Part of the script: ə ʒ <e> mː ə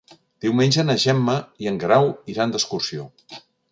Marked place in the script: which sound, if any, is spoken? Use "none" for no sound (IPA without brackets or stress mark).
ɛ